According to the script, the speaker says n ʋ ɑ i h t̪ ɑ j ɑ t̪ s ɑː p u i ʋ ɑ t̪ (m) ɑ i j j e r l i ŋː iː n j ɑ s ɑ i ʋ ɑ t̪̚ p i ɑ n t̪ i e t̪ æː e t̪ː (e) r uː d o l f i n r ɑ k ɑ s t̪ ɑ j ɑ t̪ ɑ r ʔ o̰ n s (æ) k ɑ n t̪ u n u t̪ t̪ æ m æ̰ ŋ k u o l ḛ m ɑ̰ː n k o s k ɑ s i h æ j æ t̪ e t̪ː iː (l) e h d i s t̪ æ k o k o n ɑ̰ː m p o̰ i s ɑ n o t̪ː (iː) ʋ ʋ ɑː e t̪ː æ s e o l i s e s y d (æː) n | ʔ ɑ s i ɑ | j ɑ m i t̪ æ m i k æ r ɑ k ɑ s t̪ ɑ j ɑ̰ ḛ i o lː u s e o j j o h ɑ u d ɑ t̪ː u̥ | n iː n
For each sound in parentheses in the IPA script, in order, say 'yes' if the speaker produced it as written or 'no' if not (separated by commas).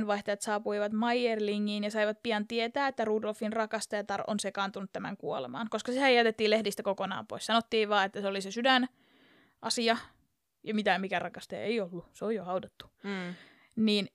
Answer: yes, no, no, yes, yes, no